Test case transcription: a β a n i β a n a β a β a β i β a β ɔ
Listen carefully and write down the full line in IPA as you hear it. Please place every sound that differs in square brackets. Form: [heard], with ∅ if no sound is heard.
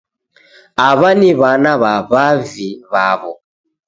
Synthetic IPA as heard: a β a n i β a n a β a β a [v] i β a β ɔ